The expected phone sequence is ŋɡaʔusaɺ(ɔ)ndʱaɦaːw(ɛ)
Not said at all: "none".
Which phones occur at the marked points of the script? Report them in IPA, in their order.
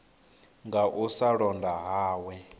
ɔ, ɛ

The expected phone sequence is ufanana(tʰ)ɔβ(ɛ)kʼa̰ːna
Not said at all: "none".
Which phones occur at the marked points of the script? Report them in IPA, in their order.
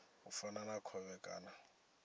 kʰ, ɛ

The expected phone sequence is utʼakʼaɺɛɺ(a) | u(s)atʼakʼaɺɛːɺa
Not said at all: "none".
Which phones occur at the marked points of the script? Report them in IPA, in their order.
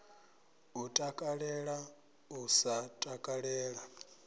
a, s

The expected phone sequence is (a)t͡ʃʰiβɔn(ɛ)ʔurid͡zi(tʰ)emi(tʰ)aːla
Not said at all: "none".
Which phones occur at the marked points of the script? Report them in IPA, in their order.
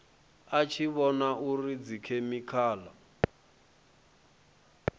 a, a, kʰ, kʰ

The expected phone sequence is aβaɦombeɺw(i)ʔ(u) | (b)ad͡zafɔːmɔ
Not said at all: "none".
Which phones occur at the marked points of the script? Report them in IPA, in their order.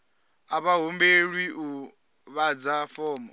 i, u, β

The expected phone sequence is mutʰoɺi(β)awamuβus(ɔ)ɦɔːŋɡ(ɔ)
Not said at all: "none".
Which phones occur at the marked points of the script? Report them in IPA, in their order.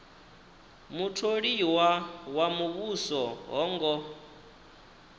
w, ɔ, ɔ

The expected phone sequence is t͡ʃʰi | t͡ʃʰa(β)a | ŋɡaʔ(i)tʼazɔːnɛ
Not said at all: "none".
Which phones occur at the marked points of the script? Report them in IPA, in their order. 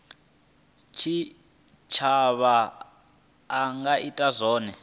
β, i

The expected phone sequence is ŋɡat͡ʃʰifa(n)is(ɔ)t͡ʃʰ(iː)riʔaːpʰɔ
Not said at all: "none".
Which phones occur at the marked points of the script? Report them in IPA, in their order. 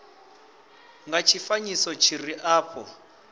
ɲ, ɔ, i

